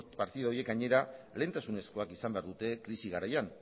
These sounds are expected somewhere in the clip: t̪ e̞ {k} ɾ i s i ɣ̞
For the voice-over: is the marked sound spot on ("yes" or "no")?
yes